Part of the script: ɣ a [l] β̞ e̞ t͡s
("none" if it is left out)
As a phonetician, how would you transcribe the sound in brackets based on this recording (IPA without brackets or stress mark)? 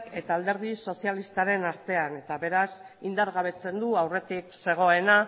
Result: none